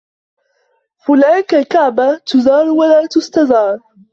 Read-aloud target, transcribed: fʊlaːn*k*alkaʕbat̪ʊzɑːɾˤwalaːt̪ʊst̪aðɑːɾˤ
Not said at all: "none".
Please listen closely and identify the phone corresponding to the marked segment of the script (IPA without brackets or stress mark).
k